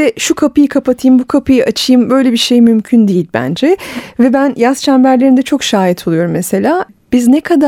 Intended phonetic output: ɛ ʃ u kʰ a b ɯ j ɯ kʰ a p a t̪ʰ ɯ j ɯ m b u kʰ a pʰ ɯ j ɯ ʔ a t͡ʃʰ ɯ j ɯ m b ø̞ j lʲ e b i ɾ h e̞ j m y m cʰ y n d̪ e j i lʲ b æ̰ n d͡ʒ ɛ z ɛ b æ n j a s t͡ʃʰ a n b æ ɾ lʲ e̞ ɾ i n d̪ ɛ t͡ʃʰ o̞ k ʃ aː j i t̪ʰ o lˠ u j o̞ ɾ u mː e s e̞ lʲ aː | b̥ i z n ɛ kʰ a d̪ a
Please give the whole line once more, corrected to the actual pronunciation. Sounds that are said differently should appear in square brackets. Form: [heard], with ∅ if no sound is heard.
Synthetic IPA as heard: ɛ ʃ u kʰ a [p] ɯ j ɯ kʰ a p a t̪ʰ ɯ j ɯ m b u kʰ a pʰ ɯ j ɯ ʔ a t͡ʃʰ ɯ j ɯ m b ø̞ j lʲ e b i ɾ [ʃ] e̞ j m y m cʰ y n d̪ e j i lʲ b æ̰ n d͡ʒ ɛ [v] ɛ b æ n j a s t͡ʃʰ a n b æ ɾ lʲ e̞ ɾ i n d̪ ɛ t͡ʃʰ o̞ k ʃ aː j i t̪ʰ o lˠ u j o̞ ɾ u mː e s e̞ lʲ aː | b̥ i z n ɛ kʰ a d̪ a